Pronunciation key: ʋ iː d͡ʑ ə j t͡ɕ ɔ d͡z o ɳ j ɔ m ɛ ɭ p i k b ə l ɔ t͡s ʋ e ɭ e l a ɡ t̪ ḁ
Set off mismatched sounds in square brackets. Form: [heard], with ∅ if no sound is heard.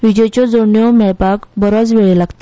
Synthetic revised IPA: ʋ [i] d͡ʑ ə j t͡ɕ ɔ d͡z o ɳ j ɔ m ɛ ɭ p [a] k b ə [ɾ] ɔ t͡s ʋ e ɭ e l a ɡ t̪ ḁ